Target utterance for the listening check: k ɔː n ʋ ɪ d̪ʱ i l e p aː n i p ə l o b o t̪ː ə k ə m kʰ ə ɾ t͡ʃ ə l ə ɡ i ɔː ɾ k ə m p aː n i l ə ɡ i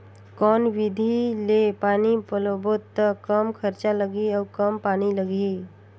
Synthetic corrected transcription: k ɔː n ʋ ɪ d̪ʱ i l e p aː n i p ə l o b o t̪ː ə k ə m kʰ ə ɾ t͡ʃ a l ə ɡ i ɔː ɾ k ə m p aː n i l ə ɡ i